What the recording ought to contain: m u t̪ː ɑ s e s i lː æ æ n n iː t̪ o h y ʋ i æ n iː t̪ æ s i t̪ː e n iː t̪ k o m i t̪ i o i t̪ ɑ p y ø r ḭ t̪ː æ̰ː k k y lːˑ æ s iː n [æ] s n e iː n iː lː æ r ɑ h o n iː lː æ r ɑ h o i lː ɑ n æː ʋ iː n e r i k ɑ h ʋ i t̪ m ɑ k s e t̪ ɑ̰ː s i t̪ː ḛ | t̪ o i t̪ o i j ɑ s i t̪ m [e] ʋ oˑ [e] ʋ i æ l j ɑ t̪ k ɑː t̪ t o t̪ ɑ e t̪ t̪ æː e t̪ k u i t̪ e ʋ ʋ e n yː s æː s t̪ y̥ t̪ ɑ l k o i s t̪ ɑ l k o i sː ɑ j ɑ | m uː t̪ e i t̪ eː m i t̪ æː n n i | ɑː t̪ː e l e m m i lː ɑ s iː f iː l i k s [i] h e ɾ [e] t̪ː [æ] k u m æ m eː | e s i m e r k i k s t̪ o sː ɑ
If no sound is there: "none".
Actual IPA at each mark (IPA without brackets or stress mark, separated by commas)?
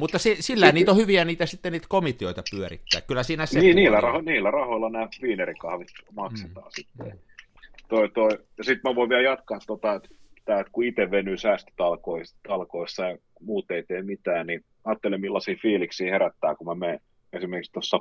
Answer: æ, æ, i, iː, æ, æː